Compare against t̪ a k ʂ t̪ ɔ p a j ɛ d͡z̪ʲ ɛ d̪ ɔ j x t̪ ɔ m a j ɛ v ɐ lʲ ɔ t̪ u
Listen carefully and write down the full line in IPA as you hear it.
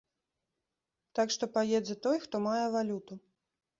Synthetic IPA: t̪ a k ʂ t̪ ɔ p a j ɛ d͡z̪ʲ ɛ t̪ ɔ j x t̪ ɔ m a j ɛ v a lʲ u t̪ u